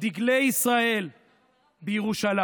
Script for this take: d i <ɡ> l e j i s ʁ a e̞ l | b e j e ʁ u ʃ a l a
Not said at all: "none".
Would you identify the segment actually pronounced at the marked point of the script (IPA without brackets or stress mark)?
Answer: ɡ